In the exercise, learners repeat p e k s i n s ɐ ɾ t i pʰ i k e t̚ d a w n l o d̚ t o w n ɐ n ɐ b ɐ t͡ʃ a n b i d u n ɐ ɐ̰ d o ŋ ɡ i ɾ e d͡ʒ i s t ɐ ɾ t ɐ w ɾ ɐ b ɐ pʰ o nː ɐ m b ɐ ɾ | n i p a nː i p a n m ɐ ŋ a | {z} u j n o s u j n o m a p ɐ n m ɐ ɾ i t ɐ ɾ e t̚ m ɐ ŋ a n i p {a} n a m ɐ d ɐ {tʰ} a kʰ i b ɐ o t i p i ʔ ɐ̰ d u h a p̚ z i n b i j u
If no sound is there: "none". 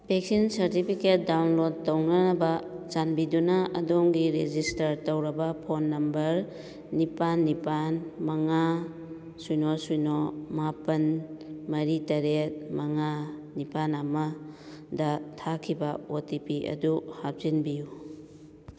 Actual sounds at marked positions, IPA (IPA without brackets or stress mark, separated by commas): s, a, tʰ